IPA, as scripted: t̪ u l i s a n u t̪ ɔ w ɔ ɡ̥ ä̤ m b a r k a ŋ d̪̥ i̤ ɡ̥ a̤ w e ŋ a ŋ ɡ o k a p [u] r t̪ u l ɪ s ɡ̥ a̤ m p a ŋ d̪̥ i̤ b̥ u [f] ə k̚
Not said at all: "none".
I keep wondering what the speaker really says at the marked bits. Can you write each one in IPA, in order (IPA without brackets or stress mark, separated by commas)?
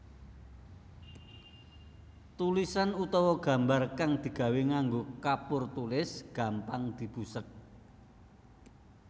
ʊ, s